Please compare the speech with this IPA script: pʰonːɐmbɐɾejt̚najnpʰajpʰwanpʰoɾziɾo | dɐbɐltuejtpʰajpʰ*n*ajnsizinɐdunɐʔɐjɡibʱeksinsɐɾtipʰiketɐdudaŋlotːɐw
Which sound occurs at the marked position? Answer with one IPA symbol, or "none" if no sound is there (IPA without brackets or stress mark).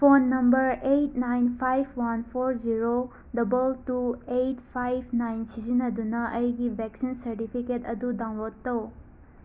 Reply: n